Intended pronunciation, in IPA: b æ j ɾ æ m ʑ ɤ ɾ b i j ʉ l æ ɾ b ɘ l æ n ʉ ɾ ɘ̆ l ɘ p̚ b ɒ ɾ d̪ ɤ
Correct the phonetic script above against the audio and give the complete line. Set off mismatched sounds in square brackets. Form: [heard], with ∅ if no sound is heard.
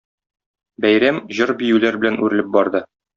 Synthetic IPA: b æ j ɾ æ m ʑ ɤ ɾ b i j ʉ l æ ɾ b ɘ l æ n ʉ ɾ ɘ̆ l ɘ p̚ b ɒ ɾ d̪ ɤ